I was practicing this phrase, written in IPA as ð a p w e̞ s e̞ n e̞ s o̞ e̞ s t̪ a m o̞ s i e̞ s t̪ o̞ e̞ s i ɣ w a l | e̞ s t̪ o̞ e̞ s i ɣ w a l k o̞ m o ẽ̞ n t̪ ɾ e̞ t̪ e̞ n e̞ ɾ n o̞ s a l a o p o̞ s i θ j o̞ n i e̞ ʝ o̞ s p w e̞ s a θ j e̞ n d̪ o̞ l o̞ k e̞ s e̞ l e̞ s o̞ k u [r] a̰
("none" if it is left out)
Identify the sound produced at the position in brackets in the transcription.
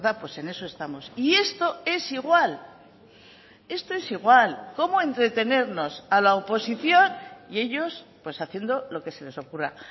r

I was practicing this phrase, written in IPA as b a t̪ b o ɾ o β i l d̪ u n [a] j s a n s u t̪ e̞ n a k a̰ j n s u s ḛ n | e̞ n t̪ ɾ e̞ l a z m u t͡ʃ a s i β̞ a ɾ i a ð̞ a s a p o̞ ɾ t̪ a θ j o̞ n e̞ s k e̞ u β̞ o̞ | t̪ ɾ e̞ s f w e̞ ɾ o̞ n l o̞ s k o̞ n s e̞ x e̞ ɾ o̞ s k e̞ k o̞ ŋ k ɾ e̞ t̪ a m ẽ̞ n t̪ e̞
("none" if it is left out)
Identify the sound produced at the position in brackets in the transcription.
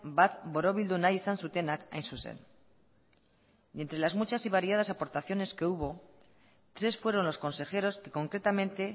a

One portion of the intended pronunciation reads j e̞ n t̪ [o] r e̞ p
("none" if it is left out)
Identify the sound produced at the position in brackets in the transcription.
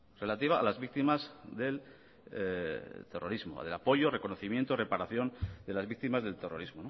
o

